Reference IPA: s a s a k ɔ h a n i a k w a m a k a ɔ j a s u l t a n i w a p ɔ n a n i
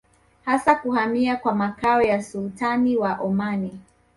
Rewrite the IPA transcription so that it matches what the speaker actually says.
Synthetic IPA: h a s a k u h a m i a k w a m a k a ɔ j a s u l t a n i w a ʔ ɔ m a n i